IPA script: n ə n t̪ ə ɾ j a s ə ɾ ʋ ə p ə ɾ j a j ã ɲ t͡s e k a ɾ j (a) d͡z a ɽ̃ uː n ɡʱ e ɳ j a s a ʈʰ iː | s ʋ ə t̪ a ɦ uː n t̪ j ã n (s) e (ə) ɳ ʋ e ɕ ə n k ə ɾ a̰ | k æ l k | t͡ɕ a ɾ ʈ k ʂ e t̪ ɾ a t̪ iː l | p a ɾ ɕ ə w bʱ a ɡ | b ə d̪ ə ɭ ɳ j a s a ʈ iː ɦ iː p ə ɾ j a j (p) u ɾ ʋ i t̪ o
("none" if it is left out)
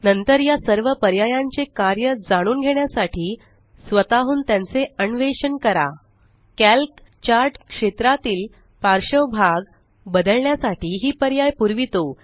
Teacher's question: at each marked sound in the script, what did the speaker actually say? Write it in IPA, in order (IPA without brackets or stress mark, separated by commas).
ə, t͡s, ə, p